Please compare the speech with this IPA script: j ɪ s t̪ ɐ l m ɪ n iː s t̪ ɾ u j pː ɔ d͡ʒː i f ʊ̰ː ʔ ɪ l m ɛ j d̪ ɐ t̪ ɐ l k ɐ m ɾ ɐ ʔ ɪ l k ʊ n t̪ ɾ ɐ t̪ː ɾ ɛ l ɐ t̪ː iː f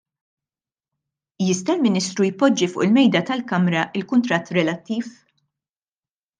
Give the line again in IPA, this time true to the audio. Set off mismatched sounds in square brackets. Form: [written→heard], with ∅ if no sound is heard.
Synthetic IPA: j ɪ s t̪ ɐ l m ɪ n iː s t̪ ɾ u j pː ɔ d͡ʒː i f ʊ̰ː ʔ ɪ l m ɛ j d̪ ɐ t̪ ɐ l k ɐ m ɾ ɐ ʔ ɪ l k ʊ n t̪ ɾ ɐ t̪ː ɾ ɛ l ɐ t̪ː iː f